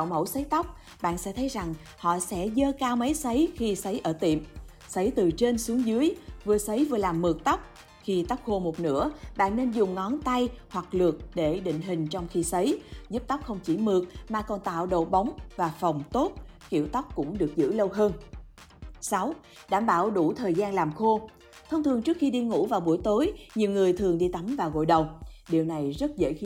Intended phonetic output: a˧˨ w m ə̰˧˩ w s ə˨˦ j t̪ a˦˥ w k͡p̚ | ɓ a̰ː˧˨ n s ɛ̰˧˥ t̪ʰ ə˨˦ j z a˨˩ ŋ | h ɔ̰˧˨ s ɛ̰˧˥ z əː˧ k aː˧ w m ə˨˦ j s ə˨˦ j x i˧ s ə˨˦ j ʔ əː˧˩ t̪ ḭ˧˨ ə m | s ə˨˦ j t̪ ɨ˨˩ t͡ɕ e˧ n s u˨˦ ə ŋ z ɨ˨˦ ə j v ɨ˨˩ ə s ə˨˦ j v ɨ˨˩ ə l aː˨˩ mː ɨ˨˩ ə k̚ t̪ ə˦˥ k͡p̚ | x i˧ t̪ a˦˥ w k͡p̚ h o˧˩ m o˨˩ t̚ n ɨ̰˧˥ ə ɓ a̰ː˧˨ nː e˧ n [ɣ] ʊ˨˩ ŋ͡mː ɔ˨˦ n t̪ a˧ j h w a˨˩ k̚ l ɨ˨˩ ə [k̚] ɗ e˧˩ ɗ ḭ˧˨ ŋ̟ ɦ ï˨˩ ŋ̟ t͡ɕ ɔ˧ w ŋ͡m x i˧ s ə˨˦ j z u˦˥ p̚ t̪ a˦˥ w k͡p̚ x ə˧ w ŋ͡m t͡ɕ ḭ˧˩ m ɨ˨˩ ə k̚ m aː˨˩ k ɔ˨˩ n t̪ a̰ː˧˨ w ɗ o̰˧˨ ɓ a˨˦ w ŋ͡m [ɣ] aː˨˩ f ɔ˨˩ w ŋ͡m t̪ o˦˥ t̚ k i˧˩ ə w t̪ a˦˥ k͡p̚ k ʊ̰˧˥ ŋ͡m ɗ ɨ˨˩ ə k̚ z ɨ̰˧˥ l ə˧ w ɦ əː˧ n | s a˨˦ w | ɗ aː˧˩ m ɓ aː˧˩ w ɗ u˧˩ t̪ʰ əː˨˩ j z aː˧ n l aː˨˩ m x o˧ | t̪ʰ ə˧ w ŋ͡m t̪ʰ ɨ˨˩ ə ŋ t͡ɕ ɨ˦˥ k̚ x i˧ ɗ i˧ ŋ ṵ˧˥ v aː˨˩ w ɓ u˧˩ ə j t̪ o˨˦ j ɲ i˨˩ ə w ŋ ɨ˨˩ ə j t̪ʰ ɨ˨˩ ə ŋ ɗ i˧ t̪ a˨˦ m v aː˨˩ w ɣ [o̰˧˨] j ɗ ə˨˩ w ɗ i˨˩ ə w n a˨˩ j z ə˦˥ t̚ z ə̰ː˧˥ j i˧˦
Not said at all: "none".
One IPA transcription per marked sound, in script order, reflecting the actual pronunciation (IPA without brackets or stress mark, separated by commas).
z, k̚, v, o̰˧˨